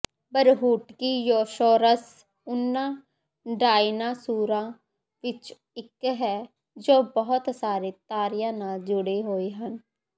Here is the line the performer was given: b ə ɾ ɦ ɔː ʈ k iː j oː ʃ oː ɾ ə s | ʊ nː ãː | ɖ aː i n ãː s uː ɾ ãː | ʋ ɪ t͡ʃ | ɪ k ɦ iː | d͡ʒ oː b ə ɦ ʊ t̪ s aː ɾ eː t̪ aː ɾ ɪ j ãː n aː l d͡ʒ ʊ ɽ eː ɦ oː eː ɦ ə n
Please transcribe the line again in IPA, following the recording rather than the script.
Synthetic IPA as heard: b ə ɾ ɦ uː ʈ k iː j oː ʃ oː ɾ ə s | ʊ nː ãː | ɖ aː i n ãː s uː ɾ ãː | ʋ ɪ t͡ʃ | ɪ k ɦ ɛː | d͡ʒ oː b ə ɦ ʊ t̪ s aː ɾ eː t̪ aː ɾ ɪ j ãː n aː l d͡ʒ ʊ ɽ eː ɦ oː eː ɦ ə n